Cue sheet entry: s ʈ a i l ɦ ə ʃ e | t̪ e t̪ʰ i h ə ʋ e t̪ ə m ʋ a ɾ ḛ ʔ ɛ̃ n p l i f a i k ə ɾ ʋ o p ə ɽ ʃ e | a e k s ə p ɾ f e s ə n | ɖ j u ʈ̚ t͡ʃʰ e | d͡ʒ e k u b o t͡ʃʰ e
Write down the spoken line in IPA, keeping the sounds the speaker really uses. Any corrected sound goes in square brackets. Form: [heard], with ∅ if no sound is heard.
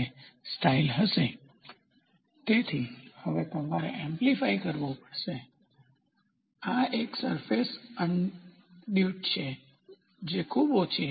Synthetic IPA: s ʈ a i l ɦ ə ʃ e | t̪ e t̪ʰ i h ə ʋ e t̪ ə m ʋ a ɾ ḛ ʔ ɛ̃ [m] p l i f a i k ə ɾ ʋ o p ə ɽ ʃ e | a e k s ə [∅] ɾ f e s ə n | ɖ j u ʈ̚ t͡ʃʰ e | d͡ʒ e [kʰ] u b o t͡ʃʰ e